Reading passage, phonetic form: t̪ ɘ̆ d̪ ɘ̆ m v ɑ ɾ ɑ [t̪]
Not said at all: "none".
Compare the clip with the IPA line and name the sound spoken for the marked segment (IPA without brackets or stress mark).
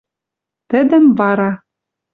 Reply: none